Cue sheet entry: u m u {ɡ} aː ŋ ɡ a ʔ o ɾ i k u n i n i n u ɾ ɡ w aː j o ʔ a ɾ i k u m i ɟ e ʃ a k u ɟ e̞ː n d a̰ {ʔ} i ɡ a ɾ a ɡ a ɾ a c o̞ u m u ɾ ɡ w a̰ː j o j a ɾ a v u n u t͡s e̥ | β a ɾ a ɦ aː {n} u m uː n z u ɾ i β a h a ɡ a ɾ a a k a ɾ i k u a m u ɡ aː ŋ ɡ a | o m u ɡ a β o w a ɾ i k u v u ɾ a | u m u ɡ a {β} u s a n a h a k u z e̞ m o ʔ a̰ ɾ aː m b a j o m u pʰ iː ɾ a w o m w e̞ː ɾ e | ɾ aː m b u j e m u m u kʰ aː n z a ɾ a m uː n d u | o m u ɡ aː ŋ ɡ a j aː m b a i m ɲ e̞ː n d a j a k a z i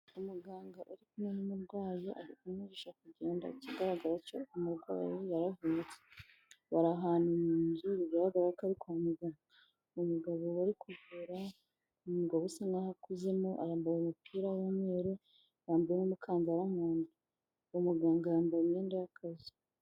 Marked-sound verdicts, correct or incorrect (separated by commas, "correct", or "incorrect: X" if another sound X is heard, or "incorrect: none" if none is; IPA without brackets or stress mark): correct, incorrect: c, correct, correct